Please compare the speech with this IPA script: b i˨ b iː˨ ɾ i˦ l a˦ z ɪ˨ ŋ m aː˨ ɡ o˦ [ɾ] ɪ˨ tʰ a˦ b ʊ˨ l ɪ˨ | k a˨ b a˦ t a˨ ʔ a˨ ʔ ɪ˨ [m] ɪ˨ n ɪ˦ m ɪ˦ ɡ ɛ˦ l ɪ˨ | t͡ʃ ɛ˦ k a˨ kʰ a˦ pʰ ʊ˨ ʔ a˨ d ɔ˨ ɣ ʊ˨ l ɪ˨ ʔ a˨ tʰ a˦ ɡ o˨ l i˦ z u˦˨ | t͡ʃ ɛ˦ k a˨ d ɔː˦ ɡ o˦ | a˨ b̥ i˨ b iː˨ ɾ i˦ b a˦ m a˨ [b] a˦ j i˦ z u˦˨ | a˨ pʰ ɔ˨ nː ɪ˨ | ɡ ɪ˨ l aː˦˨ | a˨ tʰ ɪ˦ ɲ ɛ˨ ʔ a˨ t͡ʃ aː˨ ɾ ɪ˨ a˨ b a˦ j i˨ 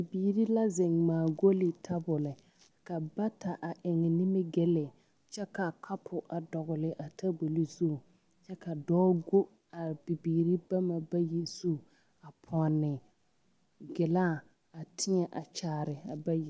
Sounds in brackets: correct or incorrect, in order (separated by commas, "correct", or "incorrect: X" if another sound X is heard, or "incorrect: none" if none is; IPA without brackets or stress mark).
incorrect: l, incorrect: ŋ, correct